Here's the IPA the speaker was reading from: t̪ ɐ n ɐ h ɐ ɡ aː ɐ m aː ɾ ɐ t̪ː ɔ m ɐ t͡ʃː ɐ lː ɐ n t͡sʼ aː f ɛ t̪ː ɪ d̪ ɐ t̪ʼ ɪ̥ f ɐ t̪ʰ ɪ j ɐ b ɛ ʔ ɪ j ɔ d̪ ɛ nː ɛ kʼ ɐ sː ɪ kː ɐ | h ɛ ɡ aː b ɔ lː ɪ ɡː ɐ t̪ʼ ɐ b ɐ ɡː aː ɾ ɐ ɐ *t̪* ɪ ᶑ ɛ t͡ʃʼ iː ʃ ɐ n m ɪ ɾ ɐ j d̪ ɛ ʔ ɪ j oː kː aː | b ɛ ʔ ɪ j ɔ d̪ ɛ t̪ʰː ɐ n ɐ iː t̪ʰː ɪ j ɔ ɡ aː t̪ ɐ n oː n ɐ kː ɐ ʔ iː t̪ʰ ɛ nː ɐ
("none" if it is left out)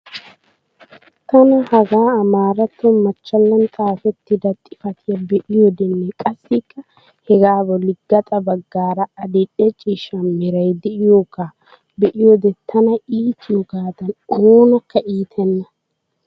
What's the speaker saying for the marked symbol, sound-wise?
d̪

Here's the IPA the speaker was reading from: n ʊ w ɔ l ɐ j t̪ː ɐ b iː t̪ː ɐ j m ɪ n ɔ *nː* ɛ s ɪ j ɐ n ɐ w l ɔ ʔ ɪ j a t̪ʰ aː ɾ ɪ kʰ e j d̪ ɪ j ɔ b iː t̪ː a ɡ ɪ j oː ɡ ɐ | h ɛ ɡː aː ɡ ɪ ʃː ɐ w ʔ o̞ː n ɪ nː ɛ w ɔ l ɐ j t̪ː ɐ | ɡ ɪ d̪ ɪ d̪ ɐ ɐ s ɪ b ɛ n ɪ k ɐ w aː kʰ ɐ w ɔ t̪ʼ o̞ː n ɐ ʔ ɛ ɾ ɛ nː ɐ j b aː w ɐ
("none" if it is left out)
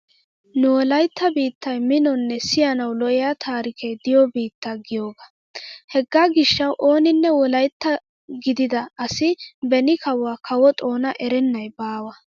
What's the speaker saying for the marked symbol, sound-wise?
nː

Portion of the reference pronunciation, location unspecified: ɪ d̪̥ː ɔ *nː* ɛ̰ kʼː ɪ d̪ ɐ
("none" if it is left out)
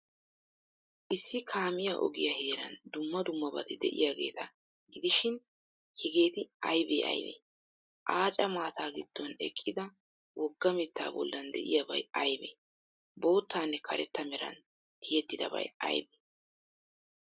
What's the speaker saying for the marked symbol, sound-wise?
n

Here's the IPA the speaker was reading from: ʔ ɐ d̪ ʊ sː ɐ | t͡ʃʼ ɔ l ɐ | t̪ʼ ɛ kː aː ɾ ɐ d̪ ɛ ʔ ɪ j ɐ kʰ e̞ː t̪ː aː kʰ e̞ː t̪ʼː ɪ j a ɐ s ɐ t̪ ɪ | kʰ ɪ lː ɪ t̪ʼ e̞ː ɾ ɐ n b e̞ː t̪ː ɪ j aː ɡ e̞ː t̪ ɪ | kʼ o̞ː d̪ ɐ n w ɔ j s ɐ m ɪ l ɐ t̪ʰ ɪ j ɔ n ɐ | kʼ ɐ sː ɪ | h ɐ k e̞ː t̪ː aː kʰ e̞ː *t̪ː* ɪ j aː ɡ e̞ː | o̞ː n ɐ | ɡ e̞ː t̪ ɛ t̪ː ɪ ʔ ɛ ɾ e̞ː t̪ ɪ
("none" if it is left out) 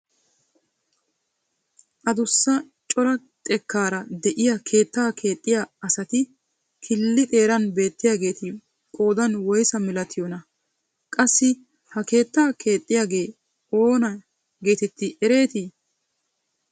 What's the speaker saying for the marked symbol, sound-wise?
t̪ʼː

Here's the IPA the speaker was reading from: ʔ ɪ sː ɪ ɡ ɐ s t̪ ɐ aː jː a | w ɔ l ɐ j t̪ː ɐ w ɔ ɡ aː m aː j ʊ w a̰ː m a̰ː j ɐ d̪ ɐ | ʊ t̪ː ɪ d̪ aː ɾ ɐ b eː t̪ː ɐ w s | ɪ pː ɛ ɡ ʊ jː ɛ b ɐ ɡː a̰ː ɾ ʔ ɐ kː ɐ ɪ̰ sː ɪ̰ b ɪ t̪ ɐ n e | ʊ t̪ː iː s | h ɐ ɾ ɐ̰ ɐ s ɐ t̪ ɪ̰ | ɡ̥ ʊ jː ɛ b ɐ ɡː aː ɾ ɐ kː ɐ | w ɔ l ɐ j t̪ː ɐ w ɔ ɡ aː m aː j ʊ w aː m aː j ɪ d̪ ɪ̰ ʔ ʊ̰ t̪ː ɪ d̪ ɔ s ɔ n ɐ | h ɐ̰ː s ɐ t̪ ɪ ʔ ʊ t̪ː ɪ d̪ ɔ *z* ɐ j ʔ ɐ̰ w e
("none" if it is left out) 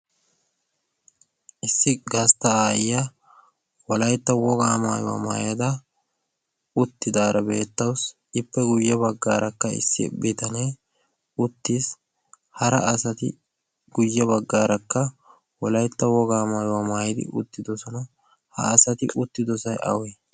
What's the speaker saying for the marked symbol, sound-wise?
s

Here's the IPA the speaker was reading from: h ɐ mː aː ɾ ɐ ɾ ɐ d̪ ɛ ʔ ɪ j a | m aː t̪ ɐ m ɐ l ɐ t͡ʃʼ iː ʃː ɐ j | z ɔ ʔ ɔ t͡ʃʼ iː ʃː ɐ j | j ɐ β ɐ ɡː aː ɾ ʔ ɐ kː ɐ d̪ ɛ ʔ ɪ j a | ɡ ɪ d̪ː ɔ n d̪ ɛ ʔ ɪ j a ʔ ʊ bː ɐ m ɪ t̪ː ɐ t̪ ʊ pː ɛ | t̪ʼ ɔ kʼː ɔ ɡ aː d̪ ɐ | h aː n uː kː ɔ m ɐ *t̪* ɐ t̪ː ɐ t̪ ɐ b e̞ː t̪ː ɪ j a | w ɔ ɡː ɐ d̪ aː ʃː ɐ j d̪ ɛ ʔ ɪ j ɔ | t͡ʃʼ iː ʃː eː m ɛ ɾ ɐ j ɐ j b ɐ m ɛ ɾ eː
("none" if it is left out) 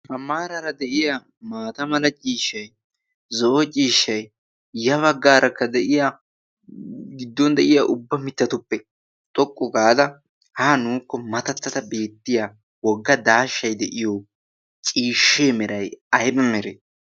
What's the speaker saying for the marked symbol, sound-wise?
t̪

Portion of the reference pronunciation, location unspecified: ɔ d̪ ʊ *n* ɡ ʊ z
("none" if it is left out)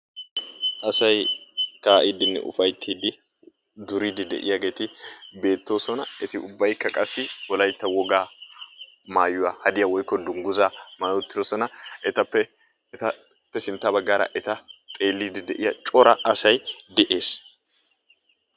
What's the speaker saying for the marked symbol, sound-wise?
ŋ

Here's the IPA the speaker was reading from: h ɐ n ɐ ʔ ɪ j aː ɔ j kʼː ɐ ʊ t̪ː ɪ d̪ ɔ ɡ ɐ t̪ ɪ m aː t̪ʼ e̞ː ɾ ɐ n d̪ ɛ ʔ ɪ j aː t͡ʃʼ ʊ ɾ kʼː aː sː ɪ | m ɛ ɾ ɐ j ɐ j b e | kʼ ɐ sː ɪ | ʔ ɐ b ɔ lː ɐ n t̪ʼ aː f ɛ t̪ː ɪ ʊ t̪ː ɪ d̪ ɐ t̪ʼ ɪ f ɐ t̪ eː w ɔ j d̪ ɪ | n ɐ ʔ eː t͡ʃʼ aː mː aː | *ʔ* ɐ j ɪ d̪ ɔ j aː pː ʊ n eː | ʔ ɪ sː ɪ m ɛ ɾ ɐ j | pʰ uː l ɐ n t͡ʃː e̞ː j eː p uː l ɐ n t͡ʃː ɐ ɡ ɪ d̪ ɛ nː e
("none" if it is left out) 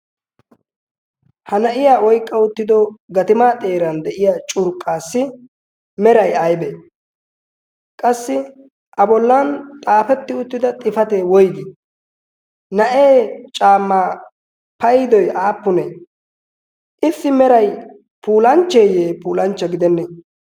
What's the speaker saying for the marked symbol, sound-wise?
p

